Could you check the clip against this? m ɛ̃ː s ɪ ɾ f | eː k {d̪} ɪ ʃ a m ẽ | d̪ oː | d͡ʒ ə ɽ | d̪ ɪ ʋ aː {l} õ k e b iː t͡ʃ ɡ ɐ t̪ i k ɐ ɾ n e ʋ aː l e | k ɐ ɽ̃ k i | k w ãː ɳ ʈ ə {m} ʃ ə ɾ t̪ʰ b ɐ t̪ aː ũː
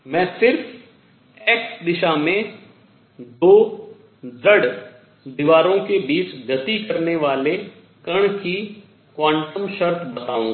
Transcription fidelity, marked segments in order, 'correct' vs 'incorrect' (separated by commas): correct, incorrect, correct